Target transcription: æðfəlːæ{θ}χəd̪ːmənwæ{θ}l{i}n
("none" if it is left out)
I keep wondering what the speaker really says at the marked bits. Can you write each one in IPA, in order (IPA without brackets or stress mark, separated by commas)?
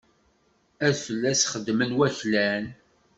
s, θ, æ